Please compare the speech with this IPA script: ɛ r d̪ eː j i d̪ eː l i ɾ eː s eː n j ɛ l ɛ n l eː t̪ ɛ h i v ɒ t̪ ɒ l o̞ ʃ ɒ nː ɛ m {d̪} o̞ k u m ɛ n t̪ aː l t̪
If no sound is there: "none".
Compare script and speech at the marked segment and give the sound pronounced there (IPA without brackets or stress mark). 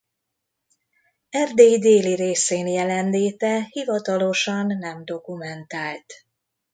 d̪